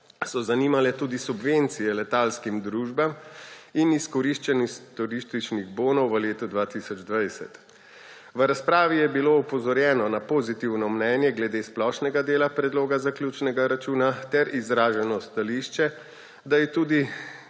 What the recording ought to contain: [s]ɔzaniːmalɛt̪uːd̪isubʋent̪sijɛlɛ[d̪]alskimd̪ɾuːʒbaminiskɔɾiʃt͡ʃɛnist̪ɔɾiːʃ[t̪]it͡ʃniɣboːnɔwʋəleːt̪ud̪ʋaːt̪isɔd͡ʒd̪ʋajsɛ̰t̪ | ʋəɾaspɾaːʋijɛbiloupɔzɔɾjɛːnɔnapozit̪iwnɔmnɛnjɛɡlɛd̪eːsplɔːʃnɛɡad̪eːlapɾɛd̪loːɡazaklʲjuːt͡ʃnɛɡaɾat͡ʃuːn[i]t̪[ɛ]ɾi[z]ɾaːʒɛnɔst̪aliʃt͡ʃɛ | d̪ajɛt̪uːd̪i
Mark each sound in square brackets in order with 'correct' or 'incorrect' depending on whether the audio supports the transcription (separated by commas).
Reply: correct, incorrect, correct, incorrect, correct, correct